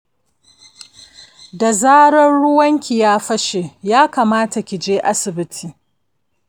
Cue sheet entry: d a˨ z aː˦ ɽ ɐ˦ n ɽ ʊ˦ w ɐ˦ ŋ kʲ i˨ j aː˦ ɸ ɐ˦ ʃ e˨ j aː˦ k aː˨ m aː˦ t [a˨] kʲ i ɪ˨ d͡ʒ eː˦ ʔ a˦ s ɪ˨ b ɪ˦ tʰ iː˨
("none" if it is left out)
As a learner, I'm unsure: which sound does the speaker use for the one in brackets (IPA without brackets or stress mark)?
a˨